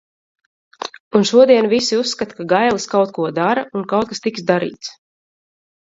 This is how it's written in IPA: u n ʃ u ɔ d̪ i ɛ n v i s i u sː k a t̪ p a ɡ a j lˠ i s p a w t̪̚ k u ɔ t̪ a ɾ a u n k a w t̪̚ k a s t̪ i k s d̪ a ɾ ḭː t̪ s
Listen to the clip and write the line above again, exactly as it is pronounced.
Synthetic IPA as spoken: u n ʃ u ɔ d̪ i ɛ n v i s i u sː k a t̪ k a ɡ a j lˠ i s k a w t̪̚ k u ɔ d̪ a ɾ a u n k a w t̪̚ k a s t̪ i k s d̪ a ɾ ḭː t̪ s